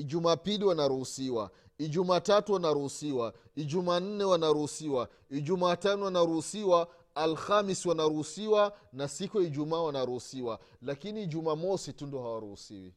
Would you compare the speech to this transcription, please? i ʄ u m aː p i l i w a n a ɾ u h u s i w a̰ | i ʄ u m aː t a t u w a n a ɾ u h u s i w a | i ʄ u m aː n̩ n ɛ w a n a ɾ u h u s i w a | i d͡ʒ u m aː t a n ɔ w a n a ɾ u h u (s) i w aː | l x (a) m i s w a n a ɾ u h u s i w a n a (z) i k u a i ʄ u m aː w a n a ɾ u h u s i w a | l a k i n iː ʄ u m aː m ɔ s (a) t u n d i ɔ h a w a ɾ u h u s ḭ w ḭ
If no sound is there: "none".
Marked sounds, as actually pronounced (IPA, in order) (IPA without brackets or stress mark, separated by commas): s, a, s, i